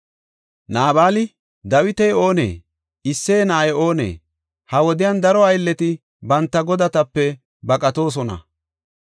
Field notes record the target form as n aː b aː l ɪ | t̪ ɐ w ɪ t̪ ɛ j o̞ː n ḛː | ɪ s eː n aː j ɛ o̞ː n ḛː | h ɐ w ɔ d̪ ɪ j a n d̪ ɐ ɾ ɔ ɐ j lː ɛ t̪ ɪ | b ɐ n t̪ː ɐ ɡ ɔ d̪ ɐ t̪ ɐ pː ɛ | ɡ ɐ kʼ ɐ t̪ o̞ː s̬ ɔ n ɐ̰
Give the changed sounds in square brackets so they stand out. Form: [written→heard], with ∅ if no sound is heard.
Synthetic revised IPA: n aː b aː l ɪ | [t̪→d̪] ɐ w ɪ t̪ ɛ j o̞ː n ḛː | ɪ [s→sː] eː n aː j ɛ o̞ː n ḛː | h ɐ w ɔ d̪ ɪ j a n d̪ ɐ ɾ ɔ ɐ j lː ɛ t̪ ɪ | b ɐ n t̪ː ɐ ɡ ɔ d̪ ɐ t̪ ɐ pː ɛ | [ɡ→b] ɐ kʼ ɐ t̪ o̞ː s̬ ɔ n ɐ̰

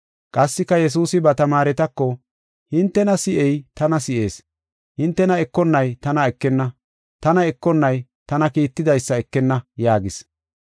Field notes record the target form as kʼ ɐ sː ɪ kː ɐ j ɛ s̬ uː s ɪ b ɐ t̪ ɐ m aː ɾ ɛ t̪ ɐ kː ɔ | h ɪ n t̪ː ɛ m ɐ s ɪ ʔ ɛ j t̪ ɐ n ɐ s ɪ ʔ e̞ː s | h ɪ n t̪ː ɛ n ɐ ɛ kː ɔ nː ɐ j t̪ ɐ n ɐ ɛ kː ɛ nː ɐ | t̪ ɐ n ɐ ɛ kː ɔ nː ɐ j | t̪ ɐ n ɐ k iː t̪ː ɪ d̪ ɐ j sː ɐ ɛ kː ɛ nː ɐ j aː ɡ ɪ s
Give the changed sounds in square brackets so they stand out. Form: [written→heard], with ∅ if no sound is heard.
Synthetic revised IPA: kʼ ɐ sː ɪ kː ɐ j ɛ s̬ uː s ɪ b ɐ t̪ ɐ m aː ɾ ɛ t̪ ɐ kː ɔ | h ɪ n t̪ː ɛ [m→n] ɐ s ɪ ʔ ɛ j t̪ ɐ n ɐ s ɪ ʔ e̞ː s | h ɪ n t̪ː ɛ n ɐ ɛ kː ɔ nː ɐ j t̪ ɐ n ɐ ɛ kː ɛ nː ɐ | t̪ ɐ n ɐ ɛ kː ɔ nː ɐ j | t̪ ɐ n ɐ k iː t̪ː ɪ d̪ ɐ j sː ɐ ɛ kː ɛ nː ɐ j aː ɡ ɪ s

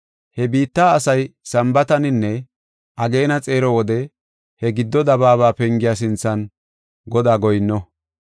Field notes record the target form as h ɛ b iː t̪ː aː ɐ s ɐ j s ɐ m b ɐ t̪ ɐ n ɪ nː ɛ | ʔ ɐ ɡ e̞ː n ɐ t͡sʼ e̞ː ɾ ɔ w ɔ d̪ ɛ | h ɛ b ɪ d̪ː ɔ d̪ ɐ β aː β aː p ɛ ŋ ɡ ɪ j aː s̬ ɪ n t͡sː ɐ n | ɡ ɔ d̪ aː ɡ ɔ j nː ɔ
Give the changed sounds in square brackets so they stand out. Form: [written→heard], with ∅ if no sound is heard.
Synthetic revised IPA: h ɛ b iː t̪ː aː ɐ s ɐ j s ɐ m b ɐ t̪ ɐ n ɪ nː ɛ | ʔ ɐ ɡ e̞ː n ɐ t͡sʼ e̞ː ɾ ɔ w ɔ d̪ ɛ | h ɛ [b→ɡ] ɪ d̪ː ɔ d̪ ɐ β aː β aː p ɛ ŋ ɡ ɪ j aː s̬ ɪ n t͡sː ɐ n | ɡ ɔ d̪ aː ɡ ɔ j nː ɔ

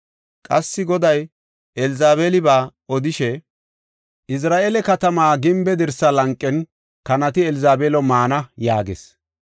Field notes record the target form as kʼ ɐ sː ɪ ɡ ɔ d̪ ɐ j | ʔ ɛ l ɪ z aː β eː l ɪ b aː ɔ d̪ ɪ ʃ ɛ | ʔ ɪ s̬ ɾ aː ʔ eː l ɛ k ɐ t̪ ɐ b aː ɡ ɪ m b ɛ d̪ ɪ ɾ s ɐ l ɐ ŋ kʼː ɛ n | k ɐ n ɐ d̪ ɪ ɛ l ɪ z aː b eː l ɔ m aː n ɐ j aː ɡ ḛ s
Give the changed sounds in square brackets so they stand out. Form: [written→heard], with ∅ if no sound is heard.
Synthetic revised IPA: kʼ ɐ sː ɪ ɡ ɔ d̪ ɐ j | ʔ ɛ l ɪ z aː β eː l ɪ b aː ɔ d̪ ɪ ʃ ɛ | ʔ ɪ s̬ ɾ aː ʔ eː l ɛ k ɐ t̪ ɐ [b→m] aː ɡ ɪ m b ɛ d̪ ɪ ɾ s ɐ l ɐ ŋ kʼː ɛ n | k ɐ n ɐ [d̪→t̪] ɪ ɛ l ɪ z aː b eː l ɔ m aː n ɐ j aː ɡ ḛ s

